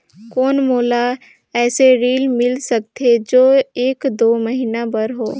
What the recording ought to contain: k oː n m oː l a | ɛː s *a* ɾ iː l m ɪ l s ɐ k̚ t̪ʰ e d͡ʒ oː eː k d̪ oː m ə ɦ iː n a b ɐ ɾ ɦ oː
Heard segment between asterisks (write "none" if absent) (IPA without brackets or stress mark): e